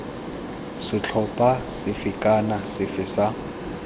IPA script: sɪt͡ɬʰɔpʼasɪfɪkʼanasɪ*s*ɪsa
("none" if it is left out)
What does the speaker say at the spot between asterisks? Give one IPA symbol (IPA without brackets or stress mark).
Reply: f